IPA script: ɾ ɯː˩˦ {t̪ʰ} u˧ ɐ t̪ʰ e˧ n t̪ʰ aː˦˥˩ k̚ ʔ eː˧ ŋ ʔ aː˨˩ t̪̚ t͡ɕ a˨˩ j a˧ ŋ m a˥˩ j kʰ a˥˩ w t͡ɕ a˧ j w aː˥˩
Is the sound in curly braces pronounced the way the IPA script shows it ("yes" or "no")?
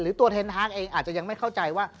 no